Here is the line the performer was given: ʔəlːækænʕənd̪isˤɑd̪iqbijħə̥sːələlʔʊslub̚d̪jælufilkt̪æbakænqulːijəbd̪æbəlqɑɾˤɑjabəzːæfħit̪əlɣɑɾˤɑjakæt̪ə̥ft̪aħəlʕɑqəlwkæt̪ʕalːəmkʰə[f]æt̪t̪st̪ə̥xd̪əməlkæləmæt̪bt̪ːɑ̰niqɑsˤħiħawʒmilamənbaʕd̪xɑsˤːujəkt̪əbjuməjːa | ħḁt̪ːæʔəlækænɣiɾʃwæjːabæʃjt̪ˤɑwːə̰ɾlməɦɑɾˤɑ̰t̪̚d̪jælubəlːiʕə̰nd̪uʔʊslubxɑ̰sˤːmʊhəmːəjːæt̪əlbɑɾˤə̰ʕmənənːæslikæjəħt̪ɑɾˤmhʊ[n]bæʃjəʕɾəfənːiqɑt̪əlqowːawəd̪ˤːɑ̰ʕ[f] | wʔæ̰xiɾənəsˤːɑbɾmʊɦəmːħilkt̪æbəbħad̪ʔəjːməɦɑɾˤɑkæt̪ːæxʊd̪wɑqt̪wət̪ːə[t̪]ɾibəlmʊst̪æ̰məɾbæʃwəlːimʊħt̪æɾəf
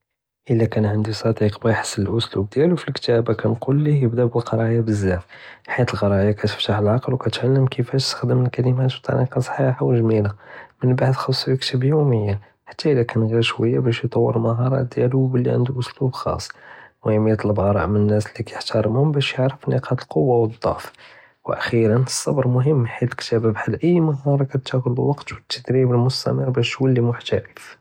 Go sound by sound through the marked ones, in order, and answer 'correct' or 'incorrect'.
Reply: correct, incorrect: m, correct, incorrect: d̪

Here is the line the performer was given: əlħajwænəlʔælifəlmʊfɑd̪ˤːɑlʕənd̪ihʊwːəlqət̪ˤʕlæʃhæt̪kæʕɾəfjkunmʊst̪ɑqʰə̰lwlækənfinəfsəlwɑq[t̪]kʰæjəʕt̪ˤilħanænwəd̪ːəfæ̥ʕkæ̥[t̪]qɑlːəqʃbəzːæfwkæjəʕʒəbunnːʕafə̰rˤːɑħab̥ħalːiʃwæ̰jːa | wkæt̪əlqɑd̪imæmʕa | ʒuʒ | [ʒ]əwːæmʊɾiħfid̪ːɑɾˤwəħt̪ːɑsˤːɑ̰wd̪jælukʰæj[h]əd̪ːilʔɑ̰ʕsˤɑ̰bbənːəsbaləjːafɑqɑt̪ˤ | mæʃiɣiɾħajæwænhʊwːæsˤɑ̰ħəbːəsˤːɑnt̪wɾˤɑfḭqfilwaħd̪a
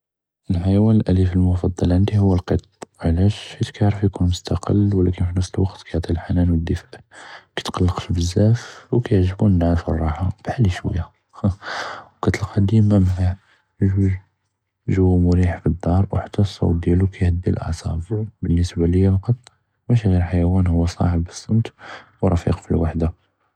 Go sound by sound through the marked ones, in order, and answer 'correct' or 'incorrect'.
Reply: correct, correct, correct, correct

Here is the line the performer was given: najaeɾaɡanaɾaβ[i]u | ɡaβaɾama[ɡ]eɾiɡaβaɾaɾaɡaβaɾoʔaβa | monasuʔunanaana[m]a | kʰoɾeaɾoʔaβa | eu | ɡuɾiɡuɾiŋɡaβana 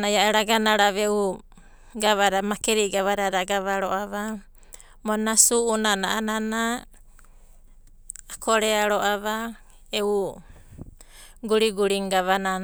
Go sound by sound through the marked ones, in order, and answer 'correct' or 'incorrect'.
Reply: incorrect: e, incorrect: k, incorrect: n

